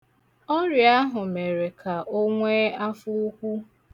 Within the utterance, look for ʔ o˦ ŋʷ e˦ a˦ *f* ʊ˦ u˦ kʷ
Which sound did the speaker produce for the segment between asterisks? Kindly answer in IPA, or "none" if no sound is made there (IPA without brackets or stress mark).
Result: f